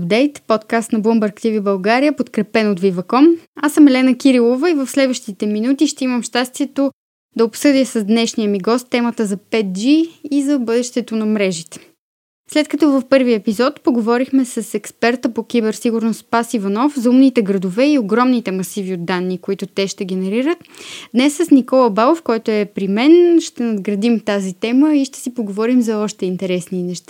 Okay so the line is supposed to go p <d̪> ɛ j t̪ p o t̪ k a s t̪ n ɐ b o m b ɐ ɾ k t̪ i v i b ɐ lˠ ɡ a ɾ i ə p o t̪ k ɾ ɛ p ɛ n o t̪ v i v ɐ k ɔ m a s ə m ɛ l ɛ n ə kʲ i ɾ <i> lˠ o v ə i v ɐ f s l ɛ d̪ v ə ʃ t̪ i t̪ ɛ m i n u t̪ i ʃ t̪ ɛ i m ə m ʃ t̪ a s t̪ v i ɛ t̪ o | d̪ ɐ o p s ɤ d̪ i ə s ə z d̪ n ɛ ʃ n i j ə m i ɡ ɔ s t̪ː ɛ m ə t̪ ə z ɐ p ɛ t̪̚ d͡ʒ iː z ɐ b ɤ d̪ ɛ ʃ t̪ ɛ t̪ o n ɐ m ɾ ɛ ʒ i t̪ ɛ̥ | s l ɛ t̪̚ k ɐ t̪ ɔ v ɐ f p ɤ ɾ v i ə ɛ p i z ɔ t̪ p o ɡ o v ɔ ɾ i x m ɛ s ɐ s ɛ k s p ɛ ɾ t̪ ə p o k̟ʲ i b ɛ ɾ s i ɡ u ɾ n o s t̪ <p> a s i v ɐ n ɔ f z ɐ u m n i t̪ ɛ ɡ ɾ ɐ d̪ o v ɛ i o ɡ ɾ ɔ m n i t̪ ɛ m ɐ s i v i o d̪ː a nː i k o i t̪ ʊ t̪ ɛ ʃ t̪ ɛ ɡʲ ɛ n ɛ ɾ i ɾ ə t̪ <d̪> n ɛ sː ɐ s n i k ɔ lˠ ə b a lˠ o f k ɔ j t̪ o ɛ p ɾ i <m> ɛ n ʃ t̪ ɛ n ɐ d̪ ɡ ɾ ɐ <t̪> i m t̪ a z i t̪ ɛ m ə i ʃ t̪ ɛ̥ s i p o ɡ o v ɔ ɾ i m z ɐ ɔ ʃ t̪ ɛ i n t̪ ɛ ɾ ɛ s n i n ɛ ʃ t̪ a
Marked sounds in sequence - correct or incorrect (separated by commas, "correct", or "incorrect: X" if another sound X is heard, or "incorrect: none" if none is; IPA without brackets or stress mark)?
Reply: correct, correct, correct, correct, correct, incorrect: d̪